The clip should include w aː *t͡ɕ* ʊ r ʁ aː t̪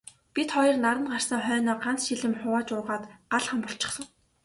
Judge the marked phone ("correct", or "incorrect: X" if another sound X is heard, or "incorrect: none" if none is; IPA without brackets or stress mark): correct